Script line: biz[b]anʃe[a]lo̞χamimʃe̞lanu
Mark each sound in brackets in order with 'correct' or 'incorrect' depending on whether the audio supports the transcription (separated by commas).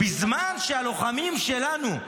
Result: incorrect, correct